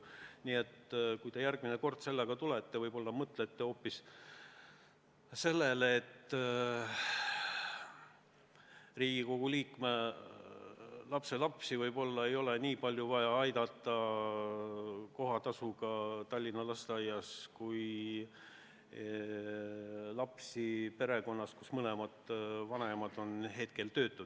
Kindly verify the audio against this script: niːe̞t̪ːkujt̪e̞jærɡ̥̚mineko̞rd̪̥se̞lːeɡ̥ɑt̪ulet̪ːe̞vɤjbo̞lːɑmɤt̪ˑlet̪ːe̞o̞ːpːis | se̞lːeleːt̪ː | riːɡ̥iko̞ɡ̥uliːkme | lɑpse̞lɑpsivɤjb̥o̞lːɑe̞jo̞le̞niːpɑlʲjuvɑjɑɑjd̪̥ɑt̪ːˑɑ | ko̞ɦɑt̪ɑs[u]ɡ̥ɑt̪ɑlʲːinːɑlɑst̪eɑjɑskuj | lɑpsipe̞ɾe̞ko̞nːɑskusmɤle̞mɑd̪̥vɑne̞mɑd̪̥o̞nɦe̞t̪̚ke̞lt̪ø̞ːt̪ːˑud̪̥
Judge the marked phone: correct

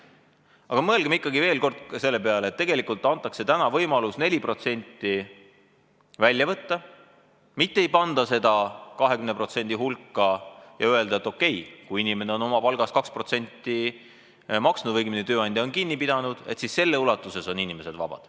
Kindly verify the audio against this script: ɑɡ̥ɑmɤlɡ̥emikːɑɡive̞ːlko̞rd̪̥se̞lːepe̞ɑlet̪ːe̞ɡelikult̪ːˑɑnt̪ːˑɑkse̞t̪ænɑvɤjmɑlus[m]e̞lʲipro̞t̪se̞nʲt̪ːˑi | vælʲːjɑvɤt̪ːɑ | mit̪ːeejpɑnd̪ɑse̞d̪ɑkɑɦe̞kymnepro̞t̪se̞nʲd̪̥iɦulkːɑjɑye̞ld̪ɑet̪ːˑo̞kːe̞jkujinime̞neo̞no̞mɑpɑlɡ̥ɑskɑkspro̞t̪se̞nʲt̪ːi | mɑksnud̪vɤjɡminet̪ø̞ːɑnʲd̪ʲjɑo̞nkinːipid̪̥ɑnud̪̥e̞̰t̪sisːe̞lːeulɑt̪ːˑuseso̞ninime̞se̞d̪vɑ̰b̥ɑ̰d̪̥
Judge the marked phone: incorrect: n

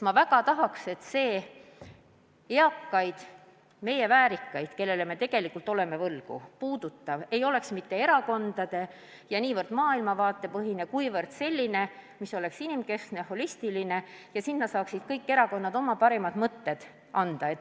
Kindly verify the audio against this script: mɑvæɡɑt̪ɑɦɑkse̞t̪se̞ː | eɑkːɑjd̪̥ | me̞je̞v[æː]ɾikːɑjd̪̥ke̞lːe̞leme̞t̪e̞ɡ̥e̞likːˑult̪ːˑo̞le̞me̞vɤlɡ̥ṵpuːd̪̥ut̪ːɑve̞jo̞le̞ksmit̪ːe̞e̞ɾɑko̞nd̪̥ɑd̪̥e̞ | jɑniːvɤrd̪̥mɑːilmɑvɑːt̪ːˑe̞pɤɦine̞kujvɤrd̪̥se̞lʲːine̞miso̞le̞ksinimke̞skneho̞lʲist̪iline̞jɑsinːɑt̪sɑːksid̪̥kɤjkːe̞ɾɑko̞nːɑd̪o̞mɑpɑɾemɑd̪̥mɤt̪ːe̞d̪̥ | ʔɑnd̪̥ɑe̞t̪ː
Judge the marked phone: correct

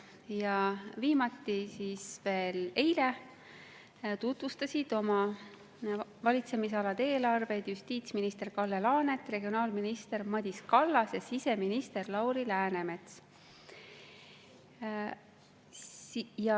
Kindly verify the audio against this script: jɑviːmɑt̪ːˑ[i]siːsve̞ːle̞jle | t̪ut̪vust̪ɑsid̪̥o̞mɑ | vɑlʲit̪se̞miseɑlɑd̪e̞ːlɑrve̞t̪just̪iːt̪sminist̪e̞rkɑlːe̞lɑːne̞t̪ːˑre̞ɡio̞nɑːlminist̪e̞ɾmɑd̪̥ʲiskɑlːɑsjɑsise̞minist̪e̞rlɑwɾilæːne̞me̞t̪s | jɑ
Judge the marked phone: correct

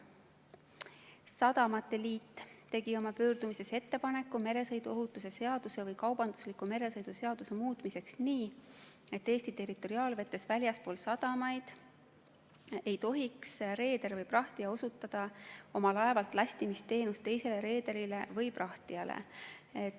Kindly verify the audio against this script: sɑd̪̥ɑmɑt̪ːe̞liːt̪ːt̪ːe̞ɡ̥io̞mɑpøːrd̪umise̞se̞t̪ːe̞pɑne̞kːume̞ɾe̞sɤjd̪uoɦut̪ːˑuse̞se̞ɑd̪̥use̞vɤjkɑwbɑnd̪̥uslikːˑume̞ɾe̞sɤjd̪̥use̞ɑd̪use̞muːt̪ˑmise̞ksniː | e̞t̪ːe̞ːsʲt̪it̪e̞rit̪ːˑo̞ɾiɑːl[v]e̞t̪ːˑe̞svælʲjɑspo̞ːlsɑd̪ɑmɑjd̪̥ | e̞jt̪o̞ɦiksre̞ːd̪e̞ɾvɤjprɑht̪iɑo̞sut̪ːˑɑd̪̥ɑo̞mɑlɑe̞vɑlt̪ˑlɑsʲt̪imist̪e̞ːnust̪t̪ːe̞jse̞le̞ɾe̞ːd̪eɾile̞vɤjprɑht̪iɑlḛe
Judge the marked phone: correct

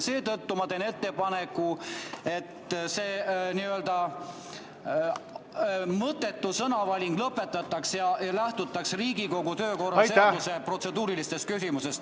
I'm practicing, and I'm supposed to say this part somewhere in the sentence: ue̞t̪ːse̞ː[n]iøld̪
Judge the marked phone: correct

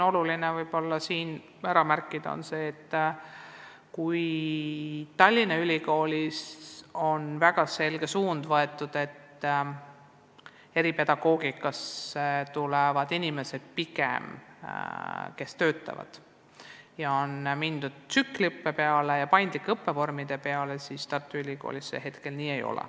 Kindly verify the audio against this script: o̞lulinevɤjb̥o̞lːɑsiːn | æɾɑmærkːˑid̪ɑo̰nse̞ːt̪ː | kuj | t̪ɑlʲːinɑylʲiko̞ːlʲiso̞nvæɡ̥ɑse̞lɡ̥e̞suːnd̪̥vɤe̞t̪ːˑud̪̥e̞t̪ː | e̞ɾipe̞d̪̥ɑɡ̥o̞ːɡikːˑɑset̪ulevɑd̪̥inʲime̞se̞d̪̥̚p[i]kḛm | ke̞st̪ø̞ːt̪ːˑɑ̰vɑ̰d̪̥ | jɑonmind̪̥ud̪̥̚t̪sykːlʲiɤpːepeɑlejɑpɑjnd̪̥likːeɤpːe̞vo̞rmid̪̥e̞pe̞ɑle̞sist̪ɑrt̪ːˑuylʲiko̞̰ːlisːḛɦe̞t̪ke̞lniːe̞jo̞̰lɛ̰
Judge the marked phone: correct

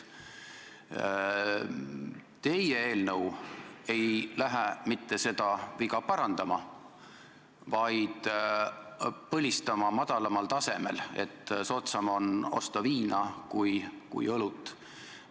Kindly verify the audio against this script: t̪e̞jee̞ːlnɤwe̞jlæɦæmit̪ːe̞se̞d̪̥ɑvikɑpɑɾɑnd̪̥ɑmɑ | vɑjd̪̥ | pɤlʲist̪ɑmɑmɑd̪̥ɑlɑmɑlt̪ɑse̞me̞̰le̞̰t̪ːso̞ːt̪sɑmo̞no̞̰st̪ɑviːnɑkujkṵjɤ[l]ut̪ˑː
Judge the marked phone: correct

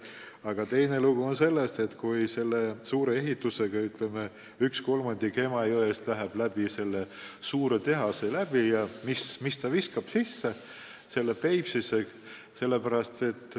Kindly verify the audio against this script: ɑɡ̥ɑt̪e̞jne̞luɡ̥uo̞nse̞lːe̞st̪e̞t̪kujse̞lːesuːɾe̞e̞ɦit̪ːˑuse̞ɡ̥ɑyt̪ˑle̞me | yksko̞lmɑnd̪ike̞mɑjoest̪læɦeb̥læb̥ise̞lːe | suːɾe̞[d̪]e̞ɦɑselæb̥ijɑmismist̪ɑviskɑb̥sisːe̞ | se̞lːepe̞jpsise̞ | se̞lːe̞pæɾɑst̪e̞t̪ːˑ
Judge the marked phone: incorrect: t̪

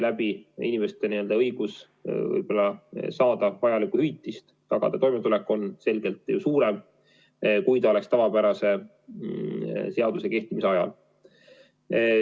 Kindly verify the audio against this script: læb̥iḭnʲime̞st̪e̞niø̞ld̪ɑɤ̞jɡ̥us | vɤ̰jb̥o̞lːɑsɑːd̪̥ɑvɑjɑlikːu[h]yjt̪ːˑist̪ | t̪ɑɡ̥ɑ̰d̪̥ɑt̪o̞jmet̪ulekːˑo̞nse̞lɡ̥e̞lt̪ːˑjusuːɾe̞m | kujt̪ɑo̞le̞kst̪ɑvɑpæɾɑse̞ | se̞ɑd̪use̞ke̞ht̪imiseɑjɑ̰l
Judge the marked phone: correct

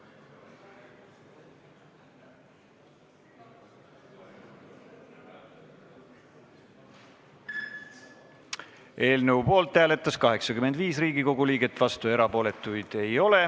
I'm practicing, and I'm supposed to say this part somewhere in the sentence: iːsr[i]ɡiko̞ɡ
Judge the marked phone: incorrect: iː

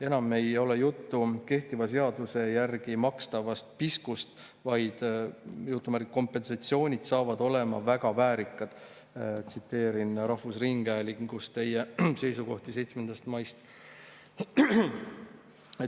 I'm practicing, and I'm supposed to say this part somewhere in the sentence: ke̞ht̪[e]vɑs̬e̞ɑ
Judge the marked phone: incorrect: i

